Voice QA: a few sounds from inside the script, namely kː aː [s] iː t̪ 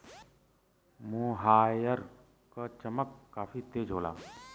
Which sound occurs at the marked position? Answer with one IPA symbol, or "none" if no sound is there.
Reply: f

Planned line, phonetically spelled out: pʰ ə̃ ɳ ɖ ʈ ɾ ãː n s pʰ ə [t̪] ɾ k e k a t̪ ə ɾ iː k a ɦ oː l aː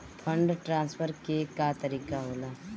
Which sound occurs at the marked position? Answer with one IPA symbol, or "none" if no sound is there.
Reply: none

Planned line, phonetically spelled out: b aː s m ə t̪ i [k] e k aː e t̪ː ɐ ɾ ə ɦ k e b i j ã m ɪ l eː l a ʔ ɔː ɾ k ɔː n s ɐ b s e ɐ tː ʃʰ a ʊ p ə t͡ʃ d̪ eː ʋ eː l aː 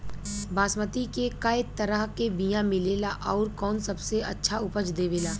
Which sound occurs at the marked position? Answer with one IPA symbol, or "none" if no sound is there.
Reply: k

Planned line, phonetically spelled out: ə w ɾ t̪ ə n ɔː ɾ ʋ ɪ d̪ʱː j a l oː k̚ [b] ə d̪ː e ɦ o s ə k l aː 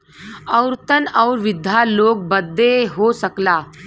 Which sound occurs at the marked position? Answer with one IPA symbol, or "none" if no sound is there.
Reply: b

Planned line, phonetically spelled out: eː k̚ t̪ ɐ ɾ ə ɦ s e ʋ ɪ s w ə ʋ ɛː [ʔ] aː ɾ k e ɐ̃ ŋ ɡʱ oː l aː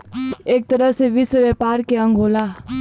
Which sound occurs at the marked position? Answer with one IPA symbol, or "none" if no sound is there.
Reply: p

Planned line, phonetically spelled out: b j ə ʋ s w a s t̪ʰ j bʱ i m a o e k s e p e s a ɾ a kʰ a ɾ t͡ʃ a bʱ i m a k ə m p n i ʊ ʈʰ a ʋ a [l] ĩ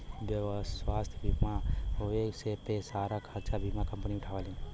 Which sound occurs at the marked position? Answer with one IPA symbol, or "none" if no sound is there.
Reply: l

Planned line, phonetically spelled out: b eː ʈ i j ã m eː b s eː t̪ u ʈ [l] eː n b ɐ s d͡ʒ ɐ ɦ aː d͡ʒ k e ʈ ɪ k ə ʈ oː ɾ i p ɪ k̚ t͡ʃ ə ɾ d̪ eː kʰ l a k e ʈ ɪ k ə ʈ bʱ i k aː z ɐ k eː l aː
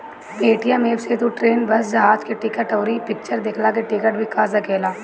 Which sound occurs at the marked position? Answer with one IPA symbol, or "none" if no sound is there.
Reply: ɾ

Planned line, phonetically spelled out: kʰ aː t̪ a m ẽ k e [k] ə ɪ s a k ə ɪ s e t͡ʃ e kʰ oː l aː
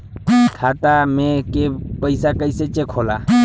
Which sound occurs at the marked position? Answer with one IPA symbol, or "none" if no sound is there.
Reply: p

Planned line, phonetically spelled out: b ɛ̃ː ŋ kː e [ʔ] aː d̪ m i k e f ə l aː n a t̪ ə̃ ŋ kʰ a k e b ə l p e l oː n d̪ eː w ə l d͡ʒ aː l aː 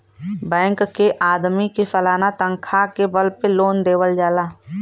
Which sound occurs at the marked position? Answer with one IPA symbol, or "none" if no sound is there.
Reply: ʔ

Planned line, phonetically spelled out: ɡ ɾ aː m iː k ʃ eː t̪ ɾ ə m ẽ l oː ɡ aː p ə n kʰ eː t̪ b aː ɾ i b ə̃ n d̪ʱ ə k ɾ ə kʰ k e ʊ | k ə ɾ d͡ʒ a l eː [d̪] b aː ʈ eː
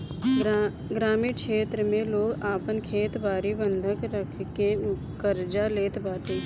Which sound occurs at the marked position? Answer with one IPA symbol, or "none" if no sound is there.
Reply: t̪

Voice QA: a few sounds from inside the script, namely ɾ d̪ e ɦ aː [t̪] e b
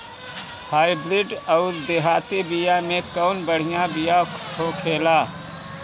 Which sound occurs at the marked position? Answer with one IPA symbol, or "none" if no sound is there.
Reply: t̪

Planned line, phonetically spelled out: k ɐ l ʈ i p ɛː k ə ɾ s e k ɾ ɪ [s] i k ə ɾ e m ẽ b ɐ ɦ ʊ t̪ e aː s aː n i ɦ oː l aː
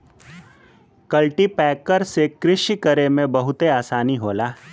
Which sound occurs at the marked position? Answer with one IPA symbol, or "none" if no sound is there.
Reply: ʃ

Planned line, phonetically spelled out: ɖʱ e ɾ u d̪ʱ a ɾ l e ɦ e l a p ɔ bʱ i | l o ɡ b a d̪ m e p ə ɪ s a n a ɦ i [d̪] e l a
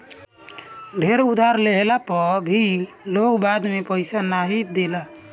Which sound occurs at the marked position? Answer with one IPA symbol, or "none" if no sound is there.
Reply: d̪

